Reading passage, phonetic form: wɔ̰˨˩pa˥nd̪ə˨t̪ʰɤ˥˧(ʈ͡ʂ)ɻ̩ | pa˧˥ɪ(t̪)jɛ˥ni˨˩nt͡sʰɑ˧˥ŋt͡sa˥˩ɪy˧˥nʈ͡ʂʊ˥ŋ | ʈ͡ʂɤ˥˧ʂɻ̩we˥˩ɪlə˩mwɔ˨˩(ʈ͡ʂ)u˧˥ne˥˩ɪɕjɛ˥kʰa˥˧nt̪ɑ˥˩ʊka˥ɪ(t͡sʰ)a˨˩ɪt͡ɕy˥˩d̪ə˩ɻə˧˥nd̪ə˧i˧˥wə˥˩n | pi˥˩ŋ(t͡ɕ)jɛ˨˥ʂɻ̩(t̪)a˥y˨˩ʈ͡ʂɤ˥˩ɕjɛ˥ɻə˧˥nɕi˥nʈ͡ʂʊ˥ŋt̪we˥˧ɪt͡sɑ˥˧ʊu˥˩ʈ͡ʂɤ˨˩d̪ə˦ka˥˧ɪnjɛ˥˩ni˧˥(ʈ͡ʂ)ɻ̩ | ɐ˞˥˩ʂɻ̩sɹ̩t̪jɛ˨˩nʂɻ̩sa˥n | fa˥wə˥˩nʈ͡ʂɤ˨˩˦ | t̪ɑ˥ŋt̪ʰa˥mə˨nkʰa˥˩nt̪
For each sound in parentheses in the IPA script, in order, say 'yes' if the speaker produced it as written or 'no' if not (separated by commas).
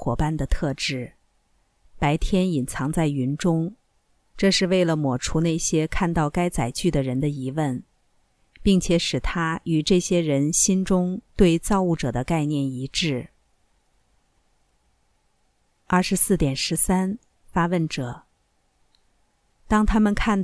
yes, no, no, no, no, no, yes